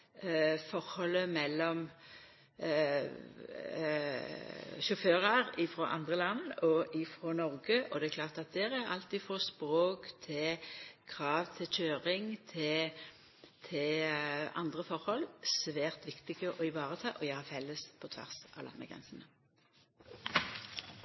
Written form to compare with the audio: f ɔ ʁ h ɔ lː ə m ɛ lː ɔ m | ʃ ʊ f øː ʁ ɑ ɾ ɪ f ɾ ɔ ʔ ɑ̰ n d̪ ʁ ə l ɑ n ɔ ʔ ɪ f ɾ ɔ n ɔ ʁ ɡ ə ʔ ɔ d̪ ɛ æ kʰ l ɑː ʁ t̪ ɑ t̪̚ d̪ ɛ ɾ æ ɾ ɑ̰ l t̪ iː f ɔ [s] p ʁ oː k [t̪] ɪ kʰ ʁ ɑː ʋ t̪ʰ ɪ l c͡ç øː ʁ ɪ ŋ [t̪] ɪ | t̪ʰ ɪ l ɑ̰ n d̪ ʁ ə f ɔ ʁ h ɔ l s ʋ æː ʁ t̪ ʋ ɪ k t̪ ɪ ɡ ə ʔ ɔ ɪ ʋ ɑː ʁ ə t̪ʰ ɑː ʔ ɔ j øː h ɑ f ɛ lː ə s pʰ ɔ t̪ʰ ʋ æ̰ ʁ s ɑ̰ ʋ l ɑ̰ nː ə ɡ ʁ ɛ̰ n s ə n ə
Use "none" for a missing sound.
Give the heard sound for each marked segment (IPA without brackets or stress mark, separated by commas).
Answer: s, t̪ʰ, t̪ʰ